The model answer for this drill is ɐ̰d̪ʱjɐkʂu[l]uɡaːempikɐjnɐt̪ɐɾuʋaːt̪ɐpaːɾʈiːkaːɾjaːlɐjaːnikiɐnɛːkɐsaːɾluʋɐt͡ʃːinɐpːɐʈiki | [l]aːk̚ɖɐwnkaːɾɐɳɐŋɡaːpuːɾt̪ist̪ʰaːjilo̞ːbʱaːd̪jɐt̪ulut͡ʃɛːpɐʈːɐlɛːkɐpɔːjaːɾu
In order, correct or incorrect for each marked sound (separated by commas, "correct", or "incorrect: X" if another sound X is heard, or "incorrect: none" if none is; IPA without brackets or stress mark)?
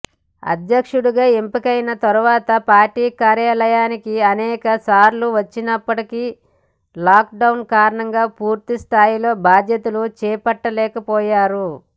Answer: incorrect: ɽ, correct